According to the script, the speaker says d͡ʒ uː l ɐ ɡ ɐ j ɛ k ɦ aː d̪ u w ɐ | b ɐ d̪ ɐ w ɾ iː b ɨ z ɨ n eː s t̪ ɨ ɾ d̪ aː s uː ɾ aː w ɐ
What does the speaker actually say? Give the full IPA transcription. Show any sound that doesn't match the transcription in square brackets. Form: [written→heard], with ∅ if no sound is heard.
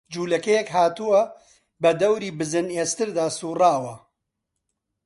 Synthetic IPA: d͡ʒ uː l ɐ [ɡ→k] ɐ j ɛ k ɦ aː [d̪→t̪] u w ɐ | b ɐ d̪ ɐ w ɾ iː b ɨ z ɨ n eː s t̪ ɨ ɾ d̪ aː s uː [ɾ→r] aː w ɐ

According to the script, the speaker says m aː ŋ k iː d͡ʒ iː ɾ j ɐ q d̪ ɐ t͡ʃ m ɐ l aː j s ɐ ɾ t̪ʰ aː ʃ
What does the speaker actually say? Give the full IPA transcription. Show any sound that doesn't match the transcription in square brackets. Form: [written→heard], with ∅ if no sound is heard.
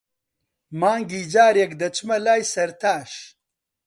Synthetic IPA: m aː ŋ [k→ɡ] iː d͡ʒ [iː→aː] ɾ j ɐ [q→k] d̪ ɐ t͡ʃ m ɐ l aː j s ɐ ɾ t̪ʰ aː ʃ

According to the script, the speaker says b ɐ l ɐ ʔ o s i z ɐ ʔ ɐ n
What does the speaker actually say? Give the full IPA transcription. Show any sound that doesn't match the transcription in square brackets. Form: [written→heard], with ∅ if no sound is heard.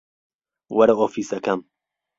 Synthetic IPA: [b→w] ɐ [l→ɾ] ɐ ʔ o [s→f] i [z→s] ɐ [ʔ→k] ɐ [n→m]

